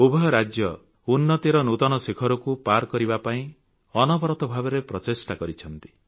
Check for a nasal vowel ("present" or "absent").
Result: present